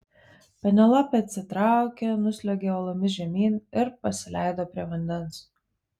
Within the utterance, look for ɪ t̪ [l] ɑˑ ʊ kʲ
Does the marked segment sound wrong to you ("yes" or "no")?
yes